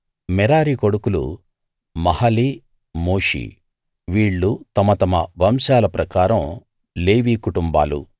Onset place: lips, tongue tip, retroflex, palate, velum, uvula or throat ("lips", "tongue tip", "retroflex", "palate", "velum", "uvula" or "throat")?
lips